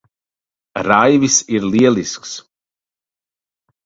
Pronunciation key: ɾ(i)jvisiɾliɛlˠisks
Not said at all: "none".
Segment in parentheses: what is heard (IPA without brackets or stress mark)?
a